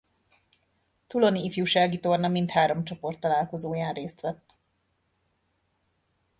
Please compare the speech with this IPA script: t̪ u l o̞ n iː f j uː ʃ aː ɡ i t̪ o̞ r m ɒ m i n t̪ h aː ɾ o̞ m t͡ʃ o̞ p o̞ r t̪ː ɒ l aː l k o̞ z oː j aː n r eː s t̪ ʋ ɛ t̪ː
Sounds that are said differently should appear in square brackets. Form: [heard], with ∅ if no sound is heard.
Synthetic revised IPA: t̪ u l o̞ n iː f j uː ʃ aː ɡ i t̪ o̞ r [n] ɒ m i n t̪ h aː ɾ o̞ m t͡ʃ o̞ p o̞ r t̪ː ɒ l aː l k o̞ z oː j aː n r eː s t̪ ʋ ɛ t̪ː